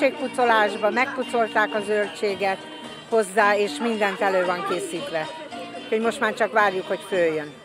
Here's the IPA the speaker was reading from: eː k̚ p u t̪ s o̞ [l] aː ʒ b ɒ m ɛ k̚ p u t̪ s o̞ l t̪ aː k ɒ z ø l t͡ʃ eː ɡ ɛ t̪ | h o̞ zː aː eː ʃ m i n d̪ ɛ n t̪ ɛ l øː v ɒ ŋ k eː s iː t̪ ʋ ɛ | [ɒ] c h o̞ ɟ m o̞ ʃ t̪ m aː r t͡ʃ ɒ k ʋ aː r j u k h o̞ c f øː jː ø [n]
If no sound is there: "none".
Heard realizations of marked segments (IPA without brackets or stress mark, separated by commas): l, u, n